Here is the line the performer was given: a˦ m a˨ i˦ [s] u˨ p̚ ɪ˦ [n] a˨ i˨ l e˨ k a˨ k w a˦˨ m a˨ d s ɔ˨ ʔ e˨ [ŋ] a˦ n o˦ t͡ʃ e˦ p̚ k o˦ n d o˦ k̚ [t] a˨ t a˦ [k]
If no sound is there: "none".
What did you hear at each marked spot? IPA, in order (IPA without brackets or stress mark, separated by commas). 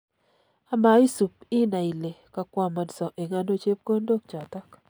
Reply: s, n, ŋ, t͡ʃ, k